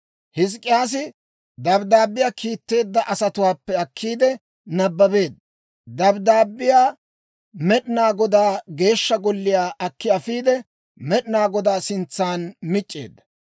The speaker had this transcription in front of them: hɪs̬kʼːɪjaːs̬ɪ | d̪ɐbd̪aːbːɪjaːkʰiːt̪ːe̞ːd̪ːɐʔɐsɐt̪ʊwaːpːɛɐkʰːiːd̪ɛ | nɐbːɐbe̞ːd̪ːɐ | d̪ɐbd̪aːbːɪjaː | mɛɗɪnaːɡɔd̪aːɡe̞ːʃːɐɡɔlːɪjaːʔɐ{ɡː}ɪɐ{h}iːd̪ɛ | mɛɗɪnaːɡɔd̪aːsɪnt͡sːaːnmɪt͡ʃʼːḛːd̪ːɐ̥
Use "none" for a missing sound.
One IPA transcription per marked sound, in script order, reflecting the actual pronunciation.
kː, f

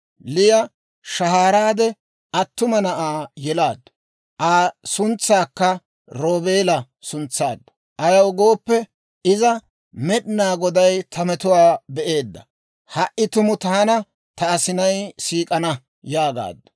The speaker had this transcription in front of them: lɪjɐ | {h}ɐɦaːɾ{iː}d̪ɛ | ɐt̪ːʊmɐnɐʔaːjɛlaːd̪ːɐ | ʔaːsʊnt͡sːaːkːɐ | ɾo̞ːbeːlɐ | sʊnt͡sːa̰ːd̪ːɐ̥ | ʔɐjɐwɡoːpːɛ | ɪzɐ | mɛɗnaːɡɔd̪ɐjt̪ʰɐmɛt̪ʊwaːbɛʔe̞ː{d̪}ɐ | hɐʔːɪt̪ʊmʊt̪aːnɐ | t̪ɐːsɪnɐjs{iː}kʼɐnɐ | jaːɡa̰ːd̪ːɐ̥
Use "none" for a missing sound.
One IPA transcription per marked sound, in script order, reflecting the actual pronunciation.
ʃ, aː, d̪ː, iː

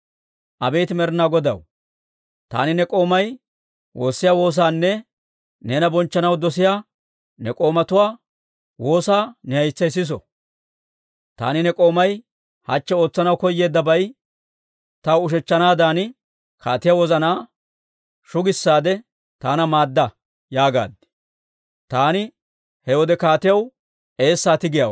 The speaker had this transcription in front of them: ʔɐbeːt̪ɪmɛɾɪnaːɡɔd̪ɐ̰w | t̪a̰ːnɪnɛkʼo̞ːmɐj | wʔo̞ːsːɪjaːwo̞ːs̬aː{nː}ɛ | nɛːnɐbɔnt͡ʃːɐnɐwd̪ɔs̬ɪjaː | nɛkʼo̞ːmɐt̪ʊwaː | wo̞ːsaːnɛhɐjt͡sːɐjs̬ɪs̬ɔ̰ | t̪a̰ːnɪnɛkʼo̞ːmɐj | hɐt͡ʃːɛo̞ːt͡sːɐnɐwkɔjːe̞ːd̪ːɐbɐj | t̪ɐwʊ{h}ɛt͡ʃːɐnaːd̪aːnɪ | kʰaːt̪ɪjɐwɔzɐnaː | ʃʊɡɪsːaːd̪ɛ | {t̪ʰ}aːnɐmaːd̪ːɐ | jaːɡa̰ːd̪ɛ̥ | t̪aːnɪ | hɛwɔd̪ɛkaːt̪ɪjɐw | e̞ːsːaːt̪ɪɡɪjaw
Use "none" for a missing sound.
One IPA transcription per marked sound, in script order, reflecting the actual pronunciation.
nː, ʃ, t̪

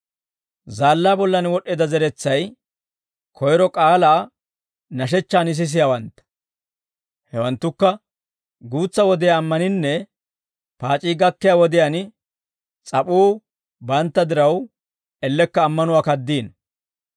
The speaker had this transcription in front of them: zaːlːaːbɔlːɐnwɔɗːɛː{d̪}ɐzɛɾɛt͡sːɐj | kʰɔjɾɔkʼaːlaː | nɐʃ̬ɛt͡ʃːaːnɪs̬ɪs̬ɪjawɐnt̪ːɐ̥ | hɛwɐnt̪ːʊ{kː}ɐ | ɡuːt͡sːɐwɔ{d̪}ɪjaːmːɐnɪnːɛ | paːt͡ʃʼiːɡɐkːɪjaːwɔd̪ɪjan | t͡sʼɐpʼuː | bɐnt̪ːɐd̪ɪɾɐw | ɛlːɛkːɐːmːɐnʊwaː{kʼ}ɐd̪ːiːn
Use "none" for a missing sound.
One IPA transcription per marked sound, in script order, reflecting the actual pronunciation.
d̪, kː, d̪, k

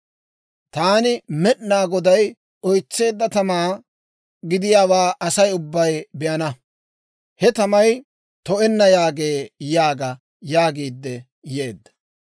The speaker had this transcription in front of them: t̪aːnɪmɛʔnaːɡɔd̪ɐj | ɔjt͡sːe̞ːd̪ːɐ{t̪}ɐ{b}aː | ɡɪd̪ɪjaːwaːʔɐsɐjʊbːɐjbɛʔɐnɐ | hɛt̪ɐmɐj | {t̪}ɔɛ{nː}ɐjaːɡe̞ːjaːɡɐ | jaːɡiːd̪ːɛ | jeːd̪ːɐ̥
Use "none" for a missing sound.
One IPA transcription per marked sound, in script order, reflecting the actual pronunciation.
t̪, m, t̪, nː

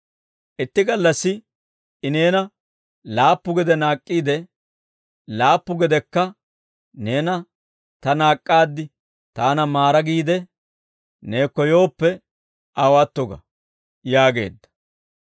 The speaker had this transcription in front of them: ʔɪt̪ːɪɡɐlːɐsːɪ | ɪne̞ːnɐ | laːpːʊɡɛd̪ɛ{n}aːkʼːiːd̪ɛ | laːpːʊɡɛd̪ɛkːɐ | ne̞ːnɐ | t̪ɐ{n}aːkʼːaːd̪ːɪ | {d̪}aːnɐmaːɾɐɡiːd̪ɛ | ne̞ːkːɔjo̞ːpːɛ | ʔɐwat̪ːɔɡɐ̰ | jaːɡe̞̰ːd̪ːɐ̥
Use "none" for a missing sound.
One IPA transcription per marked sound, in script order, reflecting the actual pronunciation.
n, n, t̪

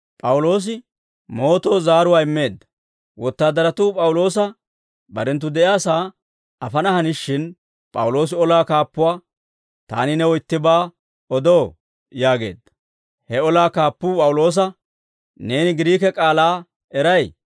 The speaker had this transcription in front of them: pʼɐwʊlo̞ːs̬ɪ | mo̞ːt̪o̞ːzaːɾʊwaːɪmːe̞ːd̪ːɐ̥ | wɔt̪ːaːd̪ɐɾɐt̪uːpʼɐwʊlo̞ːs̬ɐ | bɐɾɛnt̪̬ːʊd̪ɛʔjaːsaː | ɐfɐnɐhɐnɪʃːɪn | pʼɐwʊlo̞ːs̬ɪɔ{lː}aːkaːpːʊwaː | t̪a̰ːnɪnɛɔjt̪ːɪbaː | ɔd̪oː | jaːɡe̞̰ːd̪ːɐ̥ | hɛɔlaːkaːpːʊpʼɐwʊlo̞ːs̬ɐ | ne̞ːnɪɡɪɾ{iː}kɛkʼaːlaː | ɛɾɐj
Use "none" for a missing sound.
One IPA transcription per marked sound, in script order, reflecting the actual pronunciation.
l, iː

